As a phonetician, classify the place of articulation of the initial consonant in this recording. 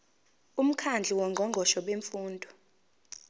labial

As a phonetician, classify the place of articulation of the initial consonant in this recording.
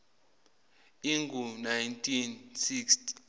velar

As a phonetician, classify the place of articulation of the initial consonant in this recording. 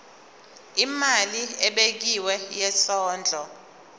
labial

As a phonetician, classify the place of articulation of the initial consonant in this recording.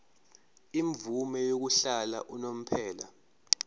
labial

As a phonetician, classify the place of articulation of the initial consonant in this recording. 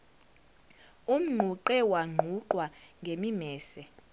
labial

